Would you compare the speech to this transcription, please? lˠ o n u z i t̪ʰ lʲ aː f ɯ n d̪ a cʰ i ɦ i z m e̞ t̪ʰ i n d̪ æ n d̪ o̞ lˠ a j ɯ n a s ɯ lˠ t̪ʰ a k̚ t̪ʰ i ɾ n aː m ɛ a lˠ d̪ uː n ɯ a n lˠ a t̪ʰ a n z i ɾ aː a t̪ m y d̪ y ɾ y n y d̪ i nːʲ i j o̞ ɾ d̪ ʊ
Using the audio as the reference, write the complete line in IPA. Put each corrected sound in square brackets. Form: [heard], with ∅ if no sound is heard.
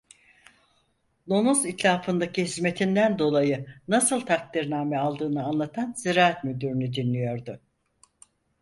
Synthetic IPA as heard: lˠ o n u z i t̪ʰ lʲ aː f ɯ n d̪ a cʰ i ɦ i z m e̞ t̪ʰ i n d̪ æ n d̪ o̞ lˠ a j ɯ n a s ɯ lˠ t̪ʰ a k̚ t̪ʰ i ɾ n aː m ɛ a lˠ d̪ [ɯː] n ɯ a n lˠ a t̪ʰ a n z i ɾ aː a t̪ m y d̪ y ɾ y n y d̪ i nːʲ i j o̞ ɾ d̪ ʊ

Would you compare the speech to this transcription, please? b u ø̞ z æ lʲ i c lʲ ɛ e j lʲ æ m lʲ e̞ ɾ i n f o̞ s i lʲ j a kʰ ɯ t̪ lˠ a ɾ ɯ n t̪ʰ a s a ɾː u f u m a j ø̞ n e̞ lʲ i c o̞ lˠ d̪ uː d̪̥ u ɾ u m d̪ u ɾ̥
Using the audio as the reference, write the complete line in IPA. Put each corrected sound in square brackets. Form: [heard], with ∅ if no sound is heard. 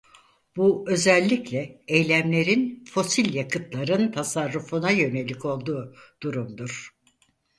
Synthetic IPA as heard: b u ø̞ z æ [lʲː] i c lʲ ɛ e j lʲ æ m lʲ e̞ ɾ i n f o̞ s i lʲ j a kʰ ɯ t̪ lˠ a ɾ ɯ n t̪ʰ a s a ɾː u f u [n] a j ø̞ n e̞ lʲ i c o̞ lˠ d̪ uː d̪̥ u ɾ u m d̪ u ɾ̥

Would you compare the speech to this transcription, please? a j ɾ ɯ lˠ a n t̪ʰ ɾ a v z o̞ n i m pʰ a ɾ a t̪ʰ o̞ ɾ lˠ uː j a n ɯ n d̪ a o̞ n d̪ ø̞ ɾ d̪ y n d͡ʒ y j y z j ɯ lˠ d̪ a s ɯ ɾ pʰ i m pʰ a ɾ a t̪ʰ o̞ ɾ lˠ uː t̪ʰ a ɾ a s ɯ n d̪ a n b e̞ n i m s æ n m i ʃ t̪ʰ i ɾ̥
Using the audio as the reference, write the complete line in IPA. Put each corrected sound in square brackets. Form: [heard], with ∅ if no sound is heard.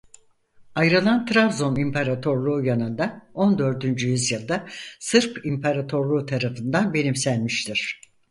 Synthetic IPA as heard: a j ɾ ɯ lˠ a n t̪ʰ ɾ a v z o̞ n i m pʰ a ɾ a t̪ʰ o̞ ɾ lˠ uː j a n ɯ n d̪ a o̞ n d̪ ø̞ ɾ d̪ y n d͡ʒ y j y z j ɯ lˠ d̪ a s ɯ ɾ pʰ i m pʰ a ɾ a t̪ʰ o̞ ɾ lˠ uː t̪ʰ a ɾ a [f] ɯ n d̪ a n b e̞ n i m s æ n m i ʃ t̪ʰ i ɾ̥

